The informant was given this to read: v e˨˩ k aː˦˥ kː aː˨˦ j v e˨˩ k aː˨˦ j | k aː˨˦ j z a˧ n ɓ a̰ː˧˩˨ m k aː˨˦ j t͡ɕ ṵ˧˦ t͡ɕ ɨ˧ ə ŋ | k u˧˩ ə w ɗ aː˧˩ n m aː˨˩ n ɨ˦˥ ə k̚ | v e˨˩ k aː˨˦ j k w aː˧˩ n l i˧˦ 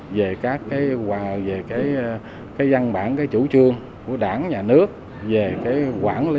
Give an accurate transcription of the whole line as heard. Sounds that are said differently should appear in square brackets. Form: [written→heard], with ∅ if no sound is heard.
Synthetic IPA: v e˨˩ k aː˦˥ kː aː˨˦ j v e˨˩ k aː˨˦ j | k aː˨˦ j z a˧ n ɓ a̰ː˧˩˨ [m→n] k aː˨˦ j t͡ɕ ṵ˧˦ t͡ɕ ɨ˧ ə ŋ | k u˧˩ ə [w→∅] ɗ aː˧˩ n [m→ɲ] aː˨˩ n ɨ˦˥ ə k̚ | v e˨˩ k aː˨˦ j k w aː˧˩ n l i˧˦

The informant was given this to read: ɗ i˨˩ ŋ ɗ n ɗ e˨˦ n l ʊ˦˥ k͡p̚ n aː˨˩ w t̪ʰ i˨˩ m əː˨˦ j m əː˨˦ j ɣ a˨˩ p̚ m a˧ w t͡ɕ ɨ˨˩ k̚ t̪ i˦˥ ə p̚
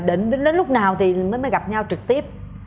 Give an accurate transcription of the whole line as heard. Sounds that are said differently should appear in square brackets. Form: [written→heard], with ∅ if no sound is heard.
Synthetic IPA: ɗ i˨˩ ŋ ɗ n ɗ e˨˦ n l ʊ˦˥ k͡p̚ n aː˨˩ w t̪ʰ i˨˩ m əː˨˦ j m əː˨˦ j ɣ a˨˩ p̚ [m→ɲ] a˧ w t͡ɕ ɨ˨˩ k̚ t̪ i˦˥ ə p̚

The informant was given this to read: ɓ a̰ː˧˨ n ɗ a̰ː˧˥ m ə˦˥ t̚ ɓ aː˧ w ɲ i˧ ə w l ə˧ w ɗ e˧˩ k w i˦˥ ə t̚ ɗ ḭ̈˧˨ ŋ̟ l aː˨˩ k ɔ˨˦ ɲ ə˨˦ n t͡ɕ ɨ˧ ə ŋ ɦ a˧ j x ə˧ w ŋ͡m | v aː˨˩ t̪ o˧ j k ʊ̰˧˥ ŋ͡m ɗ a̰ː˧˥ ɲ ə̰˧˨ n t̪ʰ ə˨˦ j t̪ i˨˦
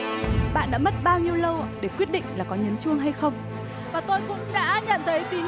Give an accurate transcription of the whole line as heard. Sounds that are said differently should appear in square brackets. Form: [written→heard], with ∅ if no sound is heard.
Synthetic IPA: ɓ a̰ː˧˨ n ɗ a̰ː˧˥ m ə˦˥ t̚ ɓ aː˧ w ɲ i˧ ə w l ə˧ w ɗ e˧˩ k w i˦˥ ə t̚ ɗ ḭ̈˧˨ ŋ̟ l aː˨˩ k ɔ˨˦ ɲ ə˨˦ n t͡ɕ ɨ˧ ə ŋ ɦ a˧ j x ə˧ w ŋ͡m | v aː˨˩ t̪ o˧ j k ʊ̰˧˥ ŋ͡m ɗ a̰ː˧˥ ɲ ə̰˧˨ n t̪ʰ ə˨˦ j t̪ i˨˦

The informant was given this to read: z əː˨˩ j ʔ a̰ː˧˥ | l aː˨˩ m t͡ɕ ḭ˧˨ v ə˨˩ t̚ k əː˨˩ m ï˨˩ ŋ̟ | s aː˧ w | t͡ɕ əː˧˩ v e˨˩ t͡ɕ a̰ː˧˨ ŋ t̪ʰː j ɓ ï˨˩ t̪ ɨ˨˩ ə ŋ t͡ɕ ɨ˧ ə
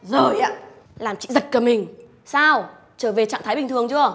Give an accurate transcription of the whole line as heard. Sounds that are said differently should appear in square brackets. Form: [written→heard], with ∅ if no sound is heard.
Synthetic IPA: z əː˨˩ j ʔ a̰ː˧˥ | l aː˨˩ m t͡ɕ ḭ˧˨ [v→z] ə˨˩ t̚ k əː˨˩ m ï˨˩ ŋ̟ | s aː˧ w | t͡ɕ əː˧˩ v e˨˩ t͡ɕ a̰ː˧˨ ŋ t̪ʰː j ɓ ï˨˩ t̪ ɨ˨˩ ə ŋ t͡ɕ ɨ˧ ə

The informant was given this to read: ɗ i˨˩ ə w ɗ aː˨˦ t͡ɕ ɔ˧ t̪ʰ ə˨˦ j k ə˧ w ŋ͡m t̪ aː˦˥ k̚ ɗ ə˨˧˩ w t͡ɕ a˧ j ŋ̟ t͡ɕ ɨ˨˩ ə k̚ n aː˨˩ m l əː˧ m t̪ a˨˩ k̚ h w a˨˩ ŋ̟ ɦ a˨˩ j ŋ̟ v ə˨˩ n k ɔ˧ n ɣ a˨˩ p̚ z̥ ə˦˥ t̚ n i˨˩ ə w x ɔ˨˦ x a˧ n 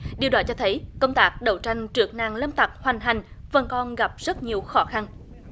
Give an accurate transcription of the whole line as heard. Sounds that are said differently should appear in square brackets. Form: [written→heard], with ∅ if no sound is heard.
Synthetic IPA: ɗ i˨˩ ə w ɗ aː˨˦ t͡ɕ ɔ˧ t̪ʰ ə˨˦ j k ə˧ w ŋ͡m t̪ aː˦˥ k̚ ɗ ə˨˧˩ w t͡ɕ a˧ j ŋ̟ t͡ɕ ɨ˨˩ ə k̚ n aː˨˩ [m→ŋ] l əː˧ m t̪ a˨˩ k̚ h w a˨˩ ŋ̟ ɦ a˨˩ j ŋ̟ v ə˨˩ n k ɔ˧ n ɣ a˨˩ p̚ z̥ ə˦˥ t̚ [n→ɲ] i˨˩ ə w x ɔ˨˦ x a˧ n

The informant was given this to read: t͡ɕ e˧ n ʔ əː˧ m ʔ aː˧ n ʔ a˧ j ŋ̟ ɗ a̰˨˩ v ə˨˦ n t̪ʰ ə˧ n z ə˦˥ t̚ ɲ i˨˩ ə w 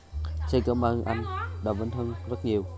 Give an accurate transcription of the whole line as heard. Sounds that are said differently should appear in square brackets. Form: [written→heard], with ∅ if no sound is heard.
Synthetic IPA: t͡ɕ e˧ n [ʔ→k] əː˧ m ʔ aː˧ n ʔ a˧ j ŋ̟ ɗ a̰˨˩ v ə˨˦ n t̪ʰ ə˧ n z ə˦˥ t̚ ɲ i˨˩ ə w

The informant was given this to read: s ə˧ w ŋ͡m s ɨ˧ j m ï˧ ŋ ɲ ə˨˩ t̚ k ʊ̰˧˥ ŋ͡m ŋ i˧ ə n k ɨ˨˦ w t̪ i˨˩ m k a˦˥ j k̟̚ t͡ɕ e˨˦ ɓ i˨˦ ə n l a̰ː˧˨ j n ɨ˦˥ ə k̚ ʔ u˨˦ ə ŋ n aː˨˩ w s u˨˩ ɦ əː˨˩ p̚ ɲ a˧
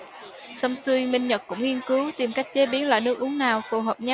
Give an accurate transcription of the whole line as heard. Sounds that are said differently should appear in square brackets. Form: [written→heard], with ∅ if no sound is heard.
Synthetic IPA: s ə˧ w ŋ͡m s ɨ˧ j m ï˧ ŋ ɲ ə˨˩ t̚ k ʊ̰˧˥ ŋ͡m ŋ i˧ ə n k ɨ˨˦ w t̪ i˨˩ m k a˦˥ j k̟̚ t͡ɕ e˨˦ ɓ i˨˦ ə n l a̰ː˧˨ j n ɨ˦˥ ə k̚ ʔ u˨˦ ə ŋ n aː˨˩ w [s→f] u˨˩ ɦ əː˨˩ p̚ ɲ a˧

